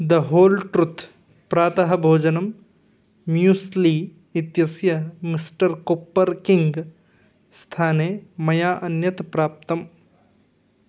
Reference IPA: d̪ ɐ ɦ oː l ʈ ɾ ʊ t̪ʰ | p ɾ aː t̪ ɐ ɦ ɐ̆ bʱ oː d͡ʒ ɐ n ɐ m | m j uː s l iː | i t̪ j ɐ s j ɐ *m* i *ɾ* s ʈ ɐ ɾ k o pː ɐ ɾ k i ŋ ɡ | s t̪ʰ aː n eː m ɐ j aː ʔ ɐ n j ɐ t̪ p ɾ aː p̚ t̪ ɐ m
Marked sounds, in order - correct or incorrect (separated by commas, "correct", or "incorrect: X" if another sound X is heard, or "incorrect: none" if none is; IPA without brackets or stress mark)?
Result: correct, incorrect: none